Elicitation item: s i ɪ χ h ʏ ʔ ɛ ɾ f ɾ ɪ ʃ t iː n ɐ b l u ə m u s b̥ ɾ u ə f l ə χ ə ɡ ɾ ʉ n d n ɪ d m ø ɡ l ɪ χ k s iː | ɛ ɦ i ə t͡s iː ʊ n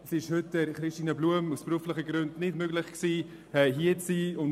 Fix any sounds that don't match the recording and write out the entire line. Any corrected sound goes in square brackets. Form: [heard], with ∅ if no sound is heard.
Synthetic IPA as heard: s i ɪ [ʃ] h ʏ [t] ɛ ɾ [χ] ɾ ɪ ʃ t iː n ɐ b l u ə m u s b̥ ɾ u ə f l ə χ ə ɡ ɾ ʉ n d n ɪ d m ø ɡ l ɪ χ k s iː | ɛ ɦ i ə t͡s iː ʊ n